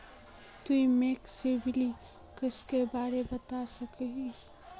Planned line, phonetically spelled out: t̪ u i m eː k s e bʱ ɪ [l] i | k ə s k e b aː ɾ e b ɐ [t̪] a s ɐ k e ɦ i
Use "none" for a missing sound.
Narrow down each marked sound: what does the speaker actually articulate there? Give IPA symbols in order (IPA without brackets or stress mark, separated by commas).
l, t̪